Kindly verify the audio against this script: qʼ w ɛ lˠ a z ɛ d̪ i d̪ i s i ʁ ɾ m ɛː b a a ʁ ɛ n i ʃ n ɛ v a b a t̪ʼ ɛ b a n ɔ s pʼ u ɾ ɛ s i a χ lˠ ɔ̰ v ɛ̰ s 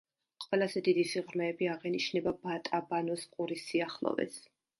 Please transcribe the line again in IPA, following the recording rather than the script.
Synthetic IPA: qʼ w ɛ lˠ a z ɛ d̪ i d̪ i s i ʁ ɾ m ɛː b i a ʁ ɛ n i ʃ n ɛ b a b a t̪ʼ a b a n ɔ s qʼ u ɾ i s i a χ lˠ ɔ̰ v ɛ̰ s